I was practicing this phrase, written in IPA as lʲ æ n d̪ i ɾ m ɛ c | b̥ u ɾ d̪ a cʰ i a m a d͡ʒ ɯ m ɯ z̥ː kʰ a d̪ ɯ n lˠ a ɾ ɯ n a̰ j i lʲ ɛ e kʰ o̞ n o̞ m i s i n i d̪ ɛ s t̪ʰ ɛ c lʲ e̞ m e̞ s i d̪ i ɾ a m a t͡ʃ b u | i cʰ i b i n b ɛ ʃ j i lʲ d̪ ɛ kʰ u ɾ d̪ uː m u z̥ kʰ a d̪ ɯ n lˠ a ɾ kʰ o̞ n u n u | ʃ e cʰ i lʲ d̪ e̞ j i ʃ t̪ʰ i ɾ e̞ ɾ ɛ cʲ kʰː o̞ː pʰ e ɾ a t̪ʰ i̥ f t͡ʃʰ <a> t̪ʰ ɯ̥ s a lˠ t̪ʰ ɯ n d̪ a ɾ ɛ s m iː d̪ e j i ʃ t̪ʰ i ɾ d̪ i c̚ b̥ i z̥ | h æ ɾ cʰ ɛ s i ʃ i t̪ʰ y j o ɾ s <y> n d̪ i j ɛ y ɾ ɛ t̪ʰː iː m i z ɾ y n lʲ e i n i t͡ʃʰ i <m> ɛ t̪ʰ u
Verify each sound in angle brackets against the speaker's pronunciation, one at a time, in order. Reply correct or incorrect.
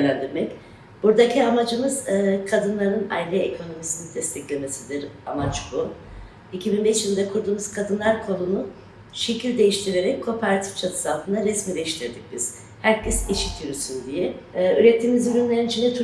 correct, correct, incorrect

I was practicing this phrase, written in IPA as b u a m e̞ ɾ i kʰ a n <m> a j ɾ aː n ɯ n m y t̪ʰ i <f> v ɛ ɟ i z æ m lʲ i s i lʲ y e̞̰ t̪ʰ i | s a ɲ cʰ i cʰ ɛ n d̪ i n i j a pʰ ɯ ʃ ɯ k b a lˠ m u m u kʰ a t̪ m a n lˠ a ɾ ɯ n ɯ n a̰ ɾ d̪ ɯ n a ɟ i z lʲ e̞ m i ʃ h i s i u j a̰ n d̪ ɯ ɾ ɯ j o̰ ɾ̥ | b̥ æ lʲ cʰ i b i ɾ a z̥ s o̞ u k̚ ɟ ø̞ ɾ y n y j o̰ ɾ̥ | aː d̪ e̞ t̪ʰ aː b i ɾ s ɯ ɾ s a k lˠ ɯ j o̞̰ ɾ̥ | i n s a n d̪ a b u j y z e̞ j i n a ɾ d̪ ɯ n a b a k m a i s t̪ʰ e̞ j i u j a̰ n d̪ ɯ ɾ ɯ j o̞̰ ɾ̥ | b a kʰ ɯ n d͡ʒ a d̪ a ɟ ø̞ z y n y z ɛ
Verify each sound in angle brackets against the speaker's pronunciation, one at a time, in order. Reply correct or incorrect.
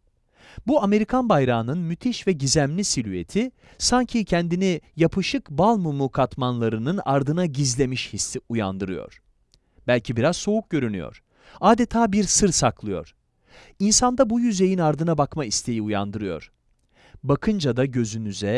incorrect, incorrect

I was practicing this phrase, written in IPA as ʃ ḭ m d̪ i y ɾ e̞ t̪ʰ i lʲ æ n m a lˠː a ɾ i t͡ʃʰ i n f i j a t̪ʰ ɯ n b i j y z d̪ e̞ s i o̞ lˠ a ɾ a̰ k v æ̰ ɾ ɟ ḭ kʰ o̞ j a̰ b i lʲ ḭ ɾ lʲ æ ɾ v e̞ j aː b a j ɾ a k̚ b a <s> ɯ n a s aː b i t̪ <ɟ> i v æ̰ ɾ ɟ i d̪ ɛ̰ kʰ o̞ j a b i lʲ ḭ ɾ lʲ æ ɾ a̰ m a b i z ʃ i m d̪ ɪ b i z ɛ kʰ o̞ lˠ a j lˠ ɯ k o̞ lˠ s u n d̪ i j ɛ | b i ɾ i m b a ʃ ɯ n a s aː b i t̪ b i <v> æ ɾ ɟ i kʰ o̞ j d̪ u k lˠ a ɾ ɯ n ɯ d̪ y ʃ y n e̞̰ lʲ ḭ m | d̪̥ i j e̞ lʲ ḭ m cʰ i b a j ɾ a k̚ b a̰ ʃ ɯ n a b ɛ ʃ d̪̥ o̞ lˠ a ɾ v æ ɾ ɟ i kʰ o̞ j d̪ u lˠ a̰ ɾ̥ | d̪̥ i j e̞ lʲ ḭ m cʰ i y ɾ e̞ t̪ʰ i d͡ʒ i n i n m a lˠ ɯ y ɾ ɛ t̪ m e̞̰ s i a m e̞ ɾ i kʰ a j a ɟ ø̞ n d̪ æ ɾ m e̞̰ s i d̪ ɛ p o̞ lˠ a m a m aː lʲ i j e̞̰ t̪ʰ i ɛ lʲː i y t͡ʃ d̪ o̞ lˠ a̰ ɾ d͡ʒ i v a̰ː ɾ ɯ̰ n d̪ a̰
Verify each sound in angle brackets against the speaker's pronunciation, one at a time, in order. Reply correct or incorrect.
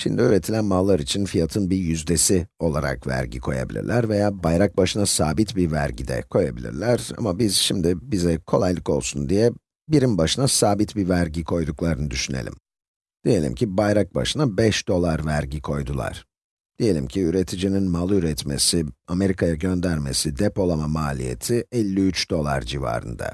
incorrect, incorrect, correct

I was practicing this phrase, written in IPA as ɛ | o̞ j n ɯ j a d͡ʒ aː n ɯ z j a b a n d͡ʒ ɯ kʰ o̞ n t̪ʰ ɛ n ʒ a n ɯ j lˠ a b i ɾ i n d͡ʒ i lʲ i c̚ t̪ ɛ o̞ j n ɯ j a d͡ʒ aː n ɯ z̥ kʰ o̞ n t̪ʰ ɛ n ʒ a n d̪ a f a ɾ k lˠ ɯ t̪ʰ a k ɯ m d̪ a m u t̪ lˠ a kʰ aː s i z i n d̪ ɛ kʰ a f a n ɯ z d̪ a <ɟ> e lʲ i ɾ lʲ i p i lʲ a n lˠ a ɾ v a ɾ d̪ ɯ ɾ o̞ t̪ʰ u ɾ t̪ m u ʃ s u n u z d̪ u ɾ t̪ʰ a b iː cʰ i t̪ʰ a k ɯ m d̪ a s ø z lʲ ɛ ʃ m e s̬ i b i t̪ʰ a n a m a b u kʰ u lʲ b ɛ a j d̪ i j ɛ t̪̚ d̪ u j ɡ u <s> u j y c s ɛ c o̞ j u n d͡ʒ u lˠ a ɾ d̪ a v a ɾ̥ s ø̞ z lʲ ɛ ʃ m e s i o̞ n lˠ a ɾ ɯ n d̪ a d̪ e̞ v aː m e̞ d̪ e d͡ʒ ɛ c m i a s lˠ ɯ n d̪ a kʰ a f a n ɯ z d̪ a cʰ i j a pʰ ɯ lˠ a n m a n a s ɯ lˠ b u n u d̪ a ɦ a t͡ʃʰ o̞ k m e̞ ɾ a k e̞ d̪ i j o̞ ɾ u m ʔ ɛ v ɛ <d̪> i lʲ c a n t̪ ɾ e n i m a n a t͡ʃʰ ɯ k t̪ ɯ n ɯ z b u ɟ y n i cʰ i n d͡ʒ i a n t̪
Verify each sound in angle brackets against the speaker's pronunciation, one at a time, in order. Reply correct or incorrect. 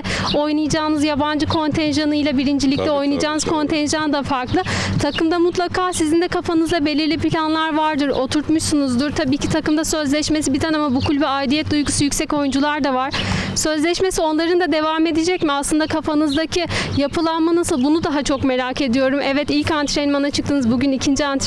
incorrect, correct, incorrect

